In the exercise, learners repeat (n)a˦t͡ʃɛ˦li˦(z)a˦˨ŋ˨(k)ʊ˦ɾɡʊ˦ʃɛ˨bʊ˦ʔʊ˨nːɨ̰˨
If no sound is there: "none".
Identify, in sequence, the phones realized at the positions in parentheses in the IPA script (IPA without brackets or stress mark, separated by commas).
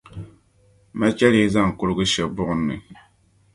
m, z, k